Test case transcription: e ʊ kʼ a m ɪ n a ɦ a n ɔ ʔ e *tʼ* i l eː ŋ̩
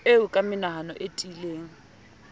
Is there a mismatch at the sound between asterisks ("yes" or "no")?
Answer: no